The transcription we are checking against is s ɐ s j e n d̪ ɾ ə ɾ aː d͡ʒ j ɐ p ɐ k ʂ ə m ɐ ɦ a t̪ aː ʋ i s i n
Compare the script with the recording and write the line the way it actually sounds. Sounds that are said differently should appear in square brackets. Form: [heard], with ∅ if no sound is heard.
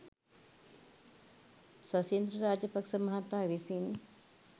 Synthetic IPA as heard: s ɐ s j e n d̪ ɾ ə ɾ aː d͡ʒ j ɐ p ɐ k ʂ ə m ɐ ɦ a t̪ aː ʋ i s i n